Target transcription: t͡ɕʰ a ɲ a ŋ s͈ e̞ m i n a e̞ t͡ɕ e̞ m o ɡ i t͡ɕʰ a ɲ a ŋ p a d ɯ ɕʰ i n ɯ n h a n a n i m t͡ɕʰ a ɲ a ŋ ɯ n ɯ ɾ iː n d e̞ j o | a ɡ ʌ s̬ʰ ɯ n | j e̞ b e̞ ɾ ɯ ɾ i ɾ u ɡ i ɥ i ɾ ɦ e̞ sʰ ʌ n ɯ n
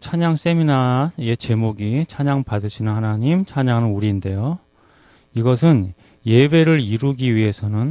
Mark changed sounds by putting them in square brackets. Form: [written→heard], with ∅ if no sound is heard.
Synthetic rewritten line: t͡ɕʰ a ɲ a ŋ s͈ e̞ m i n a e̞ t͡ɕ e̞ m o ɡ i t͡ɕʰ a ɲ a ŋ p a d ɯ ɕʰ i n ɯ n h a n a [n→ɲ] i m t͡ɕʰ a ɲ a ŋ ɯ n [ɯ→u] ɾ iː n d e̞ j o | [a→i] ɡ ʌ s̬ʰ ɯ n | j e̞ b e̞ ɾ ɯ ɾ i ɾ u ɡ i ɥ i [ɾ→∅] ɦ e̞ sʰ ʌ n ɯ n